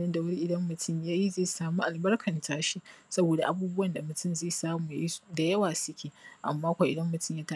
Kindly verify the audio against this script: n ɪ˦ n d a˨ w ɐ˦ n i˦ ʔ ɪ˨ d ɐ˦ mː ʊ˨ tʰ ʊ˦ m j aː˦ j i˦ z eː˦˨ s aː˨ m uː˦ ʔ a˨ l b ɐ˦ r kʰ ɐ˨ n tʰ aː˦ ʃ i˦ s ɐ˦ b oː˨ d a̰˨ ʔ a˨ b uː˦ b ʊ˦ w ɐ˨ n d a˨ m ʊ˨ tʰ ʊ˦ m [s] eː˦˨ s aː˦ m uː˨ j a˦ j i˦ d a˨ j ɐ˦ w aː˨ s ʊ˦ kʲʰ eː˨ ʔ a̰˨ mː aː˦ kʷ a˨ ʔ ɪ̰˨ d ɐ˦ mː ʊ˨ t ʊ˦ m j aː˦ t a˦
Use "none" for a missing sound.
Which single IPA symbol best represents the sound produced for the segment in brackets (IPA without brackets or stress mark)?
z